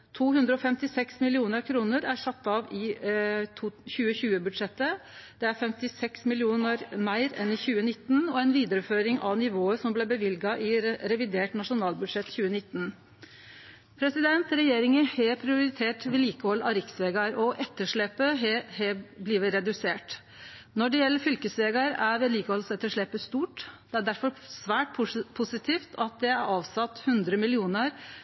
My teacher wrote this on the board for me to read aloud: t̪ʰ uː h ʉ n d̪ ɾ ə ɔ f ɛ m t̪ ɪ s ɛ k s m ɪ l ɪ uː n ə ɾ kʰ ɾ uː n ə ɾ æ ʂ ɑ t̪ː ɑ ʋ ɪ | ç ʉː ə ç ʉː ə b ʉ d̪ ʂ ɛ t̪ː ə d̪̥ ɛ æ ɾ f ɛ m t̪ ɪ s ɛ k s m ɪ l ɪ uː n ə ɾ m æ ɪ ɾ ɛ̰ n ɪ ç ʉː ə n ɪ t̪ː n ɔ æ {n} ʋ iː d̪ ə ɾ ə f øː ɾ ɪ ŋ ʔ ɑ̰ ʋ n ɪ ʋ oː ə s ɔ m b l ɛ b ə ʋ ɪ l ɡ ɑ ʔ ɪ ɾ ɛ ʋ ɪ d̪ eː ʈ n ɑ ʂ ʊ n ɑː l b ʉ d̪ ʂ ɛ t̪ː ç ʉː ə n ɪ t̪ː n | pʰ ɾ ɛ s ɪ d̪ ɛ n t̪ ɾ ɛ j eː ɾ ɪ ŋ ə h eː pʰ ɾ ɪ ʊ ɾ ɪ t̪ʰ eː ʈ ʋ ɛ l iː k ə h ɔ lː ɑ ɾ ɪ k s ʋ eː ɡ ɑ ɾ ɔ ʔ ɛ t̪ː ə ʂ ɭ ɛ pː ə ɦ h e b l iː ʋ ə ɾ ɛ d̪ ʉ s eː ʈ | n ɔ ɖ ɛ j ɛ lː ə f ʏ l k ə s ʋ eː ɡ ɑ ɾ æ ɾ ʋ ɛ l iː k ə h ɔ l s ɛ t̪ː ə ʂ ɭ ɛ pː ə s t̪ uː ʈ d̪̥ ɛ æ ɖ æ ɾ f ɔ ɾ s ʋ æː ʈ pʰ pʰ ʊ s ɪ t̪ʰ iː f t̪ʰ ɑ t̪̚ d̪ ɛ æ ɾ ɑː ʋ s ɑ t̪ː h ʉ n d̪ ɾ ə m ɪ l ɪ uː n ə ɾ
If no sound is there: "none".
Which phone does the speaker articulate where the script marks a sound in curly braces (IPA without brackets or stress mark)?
n